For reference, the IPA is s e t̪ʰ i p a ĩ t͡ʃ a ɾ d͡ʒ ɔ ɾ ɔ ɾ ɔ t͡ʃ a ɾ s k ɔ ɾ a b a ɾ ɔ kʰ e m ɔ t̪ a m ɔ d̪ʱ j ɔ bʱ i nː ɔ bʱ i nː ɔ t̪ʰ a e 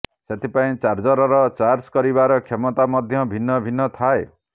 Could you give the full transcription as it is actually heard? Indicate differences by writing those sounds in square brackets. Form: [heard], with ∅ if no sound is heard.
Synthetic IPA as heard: s e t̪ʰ i p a ĩ t͡ʃ a ɾ d͡ʒ ɔ ɾ ɔ ɾ ɔ t͡ʃ a ɾ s k ɔ ɾ [i] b a ɾ ɔ kʰ e m ɔ t̪ a m ɔ d̪ʱ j ɔ bʱ i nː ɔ bʱ i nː ɔ t̪ʰ a e